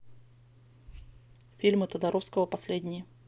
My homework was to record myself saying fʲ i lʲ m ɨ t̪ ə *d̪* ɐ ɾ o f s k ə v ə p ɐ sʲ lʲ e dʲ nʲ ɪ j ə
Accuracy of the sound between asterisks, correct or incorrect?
correct